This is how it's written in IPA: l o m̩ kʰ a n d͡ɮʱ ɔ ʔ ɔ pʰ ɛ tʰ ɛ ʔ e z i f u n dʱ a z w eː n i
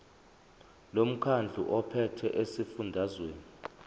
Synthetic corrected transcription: l o m̩ kʰ a n d͡ɮʱ u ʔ ɔ pʰ ɛ tʰ ɛ ʔ e s i f u n dʱ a z w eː n i